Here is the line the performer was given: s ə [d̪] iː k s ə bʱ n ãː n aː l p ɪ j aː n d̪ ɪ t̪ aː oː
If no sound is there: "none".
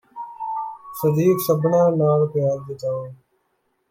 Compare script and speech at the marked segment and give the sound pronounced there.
d̪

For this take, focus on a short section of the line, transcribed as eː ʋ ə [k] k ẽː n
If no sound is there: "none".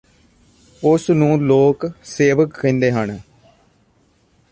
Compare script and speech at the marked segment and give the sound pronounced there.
k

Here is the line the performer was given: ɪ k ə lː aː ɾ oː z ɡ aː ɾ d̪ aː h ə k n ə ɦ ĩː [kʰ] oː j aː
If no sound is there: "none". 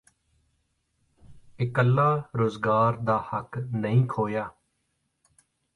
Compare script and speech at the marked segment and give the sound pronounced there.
kʰ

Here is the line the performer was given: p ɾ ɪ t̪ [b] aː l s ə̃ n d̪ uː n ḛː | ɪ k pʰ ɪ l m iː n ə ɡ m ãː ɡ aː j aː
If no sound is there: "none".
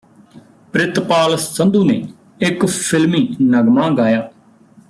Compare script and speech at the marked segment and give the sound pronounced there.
p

